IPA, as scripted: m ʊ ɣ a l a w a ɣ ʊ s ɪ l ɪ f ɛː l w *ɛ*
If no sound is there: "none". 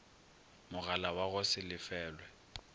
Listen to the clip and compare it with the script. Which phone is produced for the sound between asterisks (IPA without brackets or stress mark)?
ɛ